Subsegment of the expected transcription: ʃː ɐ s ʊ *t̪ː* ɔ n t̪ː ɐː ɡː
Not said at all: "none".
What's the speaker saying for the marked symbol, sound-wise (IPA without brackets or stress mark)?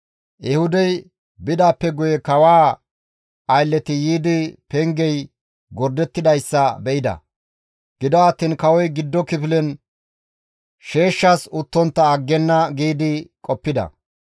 t̪ː